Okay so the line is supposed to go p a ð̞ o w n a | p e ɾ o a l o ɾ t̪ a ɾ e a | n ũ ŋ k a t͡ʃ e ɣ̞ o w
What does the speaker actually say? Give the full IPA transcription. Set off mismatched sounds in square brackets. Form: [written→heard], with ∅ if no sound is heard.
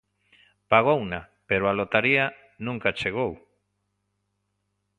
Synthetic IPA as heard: p a [ð̞→ɣ̞] o w n a | p e ɾ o a l o [ɾ→∅] t̪ a ɾ [e→i] a | n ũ ŋ k a t͡ʃ e ɣ̞ o w